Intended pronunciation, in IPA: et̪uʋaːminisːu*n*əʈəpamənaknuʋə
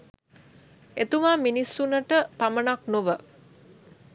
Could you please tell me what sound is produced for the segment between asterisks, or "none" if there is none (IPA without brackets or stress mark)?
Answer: n